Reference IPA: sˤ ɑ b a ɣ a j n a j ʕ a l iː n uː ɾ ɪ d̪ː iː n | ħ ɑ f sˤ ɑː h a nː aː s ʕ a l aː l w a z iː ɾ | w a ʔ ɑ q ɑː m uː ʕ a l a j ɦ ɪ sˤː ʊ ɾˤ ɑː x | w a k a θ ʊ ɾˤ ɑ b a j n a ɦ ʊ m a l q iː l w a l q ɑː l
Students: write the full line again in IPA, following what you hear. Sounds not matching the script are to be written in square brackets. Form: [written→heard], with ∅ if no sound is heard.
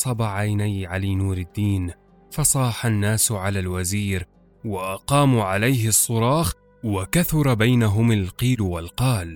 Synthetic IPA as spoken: sˤ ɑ b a [ɣ→ʕ] a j n a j ʕ a l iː n uː ɾ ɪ d̪ː iː n | [ħ→f] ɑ [f→∅] sˤ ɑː [h→ħ] a nː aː s ʕ a l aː l w a z iː ɾ | w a ʔ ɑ q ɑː m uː ʕ a l a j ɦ ɪ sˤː ʊ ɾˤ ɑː x | w a k a θ ʊ ɾˤ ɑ b a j n a ɦ ʊ m a l q iː l w a l q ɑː l